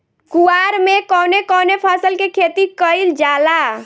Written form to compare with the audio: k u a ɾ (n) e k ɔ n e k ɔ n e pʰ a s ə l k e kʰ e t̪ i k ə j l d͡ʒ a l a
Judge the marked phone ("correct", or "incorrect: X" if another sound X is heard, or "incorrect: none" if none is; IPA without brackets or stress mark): incorrect: m